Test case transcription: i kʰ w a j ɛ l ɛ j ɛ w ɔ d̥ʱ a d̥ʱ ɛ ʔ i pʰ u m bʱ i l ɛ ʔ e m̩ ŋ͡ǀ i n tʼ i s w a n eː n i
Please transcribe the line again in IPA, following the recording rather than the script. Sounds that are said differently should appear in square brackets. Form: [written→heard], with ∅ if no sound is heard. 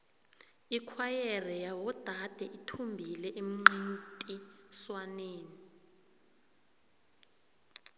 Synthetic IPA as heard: i kʰ w a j ɛ [l→r] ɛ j [ɛ→a] w ɔ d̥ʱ a d̥ʱ ɛ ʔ i [pʰ→tʰ] u m bʱ i l ɛ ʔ e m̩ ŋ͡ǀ i n tʼ i s w a n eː n i